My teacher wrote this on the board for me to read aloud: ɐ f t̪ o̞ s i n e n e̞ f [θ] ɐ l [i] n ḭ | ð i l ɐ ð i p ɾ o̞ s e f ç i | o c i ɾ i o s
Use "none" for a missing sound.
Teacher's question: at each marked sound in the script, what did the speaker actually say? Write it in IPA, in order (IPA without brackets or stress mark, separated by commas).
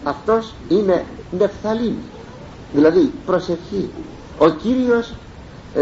θ, i